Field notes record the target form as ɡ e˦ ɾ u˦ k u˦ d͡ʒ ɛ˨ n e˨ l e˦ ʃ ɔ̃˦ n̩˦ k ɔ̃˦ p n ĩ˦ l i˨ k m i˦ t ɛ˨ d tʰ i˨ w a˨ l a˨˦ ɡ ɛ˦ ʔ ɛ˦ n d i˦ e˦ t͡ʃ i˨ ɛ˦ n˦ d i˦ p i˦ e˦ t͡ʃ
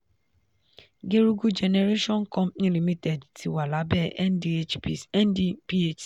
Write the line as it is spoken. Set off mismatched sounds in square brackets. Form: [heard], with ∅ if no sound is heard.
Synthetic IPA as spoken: ɡ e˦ ɾ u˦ [ɡ] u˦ d͡ʒ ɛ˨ n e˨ [ɾ] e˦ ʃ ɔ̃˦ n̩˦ k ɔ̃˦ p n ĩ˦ l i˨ [∅] m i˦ t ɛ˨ d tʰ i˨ w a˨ l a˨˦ [b] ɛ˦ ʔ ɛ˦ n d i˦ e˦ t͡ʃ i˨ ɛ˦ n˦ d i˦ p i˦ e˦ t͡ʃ

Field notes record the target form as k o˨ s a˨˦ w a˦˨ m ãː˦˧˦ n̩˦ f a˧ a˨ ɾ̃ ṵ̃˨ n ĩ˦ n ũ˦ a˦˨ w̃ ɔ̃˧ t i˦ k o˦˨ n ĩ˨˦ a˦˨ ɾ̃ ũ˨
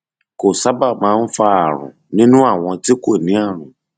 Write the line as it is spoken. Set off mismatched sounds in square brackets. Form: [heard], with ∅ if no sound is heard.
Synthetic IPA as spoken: k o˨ s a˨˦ [b] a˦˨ m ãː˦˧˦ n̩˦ f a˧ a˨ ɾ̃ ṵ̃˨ n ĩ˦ n ũ˦ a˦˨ w̃ ɔ̃˧ t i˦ k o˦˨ n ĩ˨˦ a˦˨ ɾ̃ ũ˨

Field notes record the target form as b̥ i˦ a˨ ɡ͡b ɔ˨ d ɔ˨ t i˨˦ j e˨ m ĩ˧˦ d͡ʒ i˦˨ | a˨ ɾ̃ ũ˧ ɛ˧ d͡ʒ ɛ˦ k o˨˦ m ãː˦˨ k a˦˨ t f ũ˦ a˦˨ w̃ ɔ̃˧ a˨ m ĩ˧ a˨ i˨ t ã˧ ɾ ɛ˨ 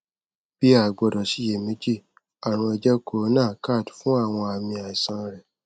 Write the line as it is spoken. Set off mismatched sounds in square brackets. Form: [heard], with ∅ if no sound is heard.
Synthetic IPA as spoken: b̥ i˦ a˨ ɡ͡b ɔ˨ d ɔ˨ [s] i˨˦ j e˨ m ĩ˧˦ d͡ʒ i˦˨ | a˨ ɾ̃ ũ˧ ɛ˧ d͡ʒ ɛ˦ k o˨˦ [n] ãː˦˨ k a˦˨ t f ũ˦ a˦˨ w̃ ɔ̃˧ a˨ m ĩ˧ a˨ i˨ [s] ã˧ ɾ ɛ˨

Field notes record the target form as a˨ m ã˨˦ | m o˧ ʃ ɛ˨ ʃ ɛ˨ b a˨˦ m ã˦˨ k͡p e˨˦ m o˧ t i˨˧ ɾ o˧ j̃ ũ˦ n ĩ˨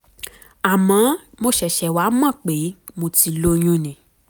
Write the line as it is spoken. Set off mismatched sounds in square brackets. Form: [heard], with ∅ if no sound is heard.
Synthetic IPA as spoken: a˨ m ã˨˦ | m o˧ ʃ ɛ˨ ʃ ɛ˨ [w] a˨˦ m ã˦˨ k͡p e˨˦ m o˧ t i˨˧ [l] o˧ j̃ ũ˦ n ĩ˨

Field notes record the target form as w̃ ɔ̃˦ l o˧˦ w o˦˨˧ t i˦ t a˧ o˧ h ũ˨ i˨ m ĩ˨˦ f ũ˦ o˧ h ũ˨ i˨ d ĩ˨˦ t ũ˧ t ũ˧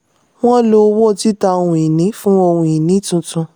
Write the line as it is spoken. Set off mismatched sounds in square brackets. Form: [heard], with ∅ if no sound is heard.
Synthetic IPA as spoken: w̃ ɔ̃˦ l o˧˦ w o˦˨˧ t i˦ t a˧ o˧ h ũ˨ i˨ [n] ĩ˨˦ f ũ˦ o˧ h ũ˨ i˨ [n] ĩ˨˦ t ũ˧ t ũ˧

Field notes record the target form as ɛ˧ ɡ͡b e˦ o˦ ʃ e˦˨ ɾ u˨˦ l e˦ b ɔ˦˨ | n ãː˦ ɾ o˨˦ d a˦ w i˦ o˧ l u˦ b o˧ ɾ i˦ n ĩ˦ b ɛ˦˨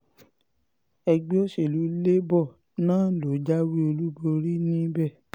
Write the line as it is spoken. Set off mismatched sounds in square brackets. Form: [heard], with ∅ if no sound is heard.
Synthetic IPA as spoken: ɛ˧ ɡ͡b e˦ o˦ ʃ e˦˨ [l] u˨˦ l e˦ b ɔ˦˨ | n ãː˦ [l] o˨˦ [d͡ʒ] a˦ w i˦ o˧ l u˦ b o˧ ɾ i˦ n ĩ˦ b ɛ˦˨

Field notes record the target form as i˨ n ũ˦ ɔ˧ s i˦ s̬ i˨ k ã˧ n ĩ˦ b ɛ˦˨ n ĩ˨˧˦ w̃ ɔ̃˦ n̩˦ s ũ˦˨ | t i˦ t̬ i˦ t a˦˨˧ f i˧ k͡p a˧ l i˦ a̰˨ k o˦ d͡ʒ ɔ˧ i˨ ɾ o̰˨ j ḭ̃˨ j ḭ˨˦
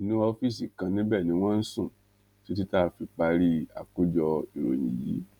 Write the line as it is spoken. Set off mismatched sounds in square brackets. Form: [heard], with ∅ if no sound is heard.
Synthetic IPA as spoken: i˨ n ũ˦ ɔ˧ [f] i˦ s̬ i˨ k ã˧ n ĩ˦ b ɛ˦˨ n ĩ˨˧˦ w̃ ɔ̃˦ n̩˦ s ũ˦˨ | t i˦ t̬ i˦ t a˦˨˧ f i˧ k͡p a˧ [ɾ] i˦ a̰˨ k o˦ d͡ʒ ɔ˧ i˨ ɾ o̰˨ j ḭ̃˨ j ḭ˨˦

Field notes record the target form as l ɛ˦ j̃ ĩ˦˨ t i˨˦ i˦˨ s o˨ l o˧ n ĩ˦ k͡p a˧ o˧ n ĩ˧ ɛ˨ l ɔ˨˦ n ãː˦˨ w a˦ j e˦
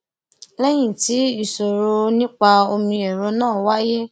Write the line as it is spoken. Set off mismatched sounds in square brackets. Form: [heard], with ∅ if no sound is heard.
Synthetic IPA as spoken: l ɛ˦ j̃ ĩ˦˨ t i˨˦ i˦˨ s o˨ [ɾ] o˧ n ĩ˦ k͡p a˧ o˧ [m] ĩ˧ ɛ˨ [ɾ] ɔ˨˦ n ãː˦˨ w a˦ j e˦

